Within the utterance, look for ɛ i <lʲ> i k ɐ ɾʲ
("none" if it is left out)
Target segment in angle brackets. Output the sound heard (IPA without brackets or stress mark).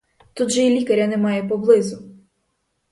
lʲ